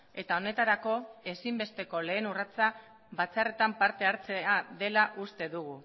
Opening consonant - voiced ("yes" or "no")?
no